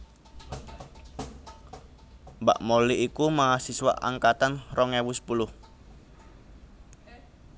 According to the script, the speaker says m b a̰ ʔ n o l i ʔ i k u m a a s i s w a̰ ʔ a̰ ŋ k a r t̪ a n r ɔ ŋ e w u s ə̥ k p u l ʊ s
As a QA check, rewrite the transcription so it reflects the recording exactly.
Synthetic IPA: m b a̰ ʔ m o l i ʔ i k u m a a s i s w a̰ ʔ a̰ ŋ k a t̪ a n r ɔ ŋ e w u s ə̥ p u l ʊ h